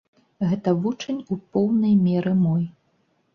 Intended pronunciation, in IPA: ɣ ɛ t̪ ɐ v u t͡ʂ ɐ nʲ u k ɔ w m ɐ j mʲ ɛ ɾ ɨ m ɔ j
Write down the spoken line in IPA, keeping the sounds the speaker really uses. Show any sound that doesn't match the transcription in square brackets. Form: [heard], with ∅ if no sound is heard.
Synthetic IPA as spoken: ɣ ɛ t̪ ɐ v u t͡ʂ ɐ nʲ u [p] ɔ w [n] ɐ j mʲ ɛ ɾ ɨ m ɔ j